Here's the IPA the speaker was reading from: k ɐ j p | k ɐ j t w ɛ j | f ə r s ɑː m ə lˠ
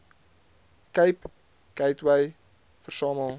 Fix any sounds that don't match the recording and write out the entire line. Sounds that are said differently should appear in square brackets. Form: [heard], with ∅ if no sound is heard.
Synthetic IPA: k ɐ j p | k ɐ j t w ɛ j | f ə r s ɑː m ə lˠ